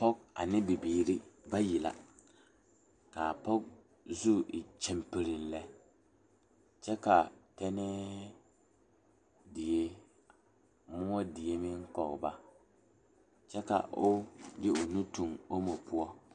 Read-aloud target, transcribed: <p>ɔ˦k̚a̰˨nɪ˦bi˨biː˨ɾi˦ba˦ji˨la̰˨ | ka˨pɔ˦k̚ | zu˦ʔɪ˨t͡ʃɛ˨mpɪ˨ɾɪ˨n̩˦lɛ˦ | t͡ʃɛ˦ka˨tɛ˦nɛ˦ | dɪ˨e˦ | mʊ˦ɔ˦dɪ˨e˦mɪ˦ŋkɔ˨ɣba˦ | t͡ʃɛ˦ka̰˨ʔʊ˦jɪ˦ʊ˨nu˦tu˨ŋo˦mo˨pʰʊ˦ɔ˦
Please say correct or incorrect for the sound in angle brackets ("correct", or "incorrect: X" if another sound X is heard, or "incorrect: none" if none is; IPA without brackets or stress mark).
correct